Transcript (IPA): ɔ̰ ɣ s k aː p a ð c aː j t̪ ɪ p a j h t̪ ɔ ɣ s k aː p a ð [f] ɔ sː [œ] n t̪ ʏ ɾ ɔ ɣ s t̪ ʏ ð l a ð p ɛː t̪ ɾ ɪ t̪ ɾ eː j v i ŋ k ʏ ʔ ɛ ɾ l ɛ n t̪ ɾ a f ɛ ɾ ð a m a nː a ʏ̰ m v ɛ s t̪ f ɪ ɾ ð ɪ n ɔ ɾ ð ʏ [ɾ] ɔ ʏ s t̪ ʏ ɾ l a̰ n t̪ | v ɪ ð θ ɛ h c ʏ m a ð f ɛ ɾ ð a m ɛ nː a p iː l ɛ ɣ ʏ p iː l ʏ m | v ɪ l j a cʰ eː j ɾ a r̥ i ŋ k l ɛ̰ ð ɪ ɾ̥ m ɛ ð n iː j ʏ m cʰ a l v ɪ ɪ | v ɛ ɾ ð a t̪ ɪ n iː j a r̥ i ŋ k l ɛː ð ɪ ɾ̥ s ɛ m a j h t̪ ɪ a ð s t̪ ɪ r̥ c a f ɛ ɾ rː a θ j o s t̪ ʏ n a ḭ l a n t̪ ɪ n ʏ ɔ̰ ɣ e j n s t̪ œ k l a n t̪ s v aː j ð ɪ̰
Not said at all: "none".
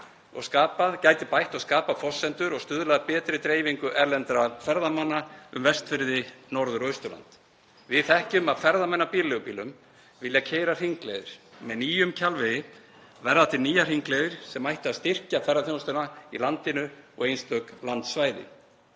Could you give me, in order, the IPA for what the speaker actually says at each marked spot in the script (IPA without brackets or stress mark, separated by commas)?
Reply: f, ɛ, ɾ